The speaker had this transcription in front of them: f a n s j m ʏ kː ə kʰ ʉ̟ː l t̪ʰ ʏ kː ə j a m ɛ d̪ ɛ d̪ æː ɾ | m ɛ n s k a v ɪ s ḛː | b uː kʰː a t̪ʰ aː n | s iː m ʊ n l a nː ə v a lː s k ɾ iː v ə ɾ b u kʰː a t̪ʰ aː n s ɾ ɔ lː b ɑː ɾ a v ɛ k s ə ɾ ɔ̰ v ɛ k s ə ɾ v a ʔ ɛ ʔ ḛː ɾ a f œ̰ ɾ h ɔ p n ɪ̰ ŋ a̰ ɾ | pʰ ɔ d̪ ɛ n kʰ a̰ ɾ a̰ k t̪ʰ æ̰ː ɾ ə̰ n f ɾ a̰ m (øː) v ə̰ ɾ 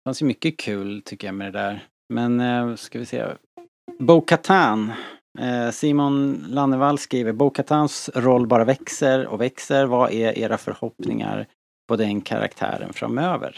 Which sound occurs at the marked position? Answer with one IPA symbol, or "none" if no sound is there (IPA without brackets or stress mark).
øː